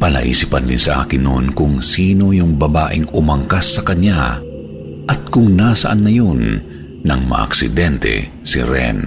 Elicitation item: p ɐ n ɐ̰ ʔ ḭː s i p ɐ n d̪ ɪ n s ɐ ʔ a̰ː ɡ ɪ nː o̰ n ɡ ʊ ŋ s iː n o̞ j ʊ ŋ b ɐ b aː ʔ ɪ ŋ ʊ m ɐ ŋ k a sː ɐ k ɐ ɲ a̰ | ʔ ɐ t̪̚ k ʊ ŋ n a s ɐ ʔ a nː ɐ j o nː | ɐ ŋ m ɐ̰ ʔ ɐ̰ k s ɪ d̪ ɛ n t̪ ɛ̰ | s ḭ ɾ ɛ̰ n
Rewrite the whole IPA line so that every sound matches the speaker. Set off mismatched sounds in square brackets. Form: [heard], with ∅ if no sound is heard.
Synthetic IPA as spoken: p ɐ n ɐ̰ ʔ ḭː s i p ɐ n d̪ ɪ n s ɐ ʔ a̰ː [k] ɪ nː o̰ n [k] ʊ ŋ s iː n o̞ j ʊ ŋ b ɐ b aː ʔ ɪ ŋ ʊ m ɐ ŋ k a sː ɐ k ɐ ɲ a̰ | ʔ ɐ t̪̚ k ʊ ŋ n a s ɐ ʔ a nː ɐ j o nː | ɐ ŋ m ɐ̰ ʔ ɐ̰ k s ɪ d̪ ɛ n t̪ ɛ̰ | s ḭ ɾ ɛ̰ n